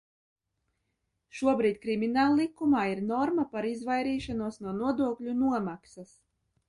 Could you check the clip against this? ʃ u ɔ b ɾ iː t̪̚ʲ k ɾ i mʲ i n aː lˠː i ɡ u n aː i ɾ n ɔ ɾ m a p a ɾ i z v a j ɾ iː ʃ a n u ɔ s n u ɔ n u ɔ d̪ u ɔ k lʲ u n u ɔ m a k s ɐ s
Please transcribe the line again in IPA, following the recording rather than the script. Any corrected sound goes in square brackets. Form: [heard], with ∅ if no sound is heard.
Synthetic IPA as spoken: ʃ u ɔ b ɾ iː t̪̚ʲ k ɾ i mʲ i n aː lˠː i [k] u [m] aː i ɾ n ɔ ɾ m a p a ɾ i z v a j ɾ iː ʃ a n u ɔ s n u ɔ n u ɔ d̪ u ɔ k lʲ u n u ɔ m a k s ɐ s